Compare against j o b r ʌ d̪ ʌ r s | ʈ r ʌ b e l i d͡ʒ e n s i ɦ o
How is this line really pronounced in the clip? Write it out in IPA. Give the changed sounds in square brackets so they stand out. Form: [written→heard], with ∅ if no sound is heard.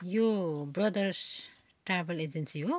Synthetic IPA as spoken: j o b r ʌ d̪ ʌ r s | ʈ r [ʌ→a] b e l [i→e] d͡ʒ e n s i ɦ o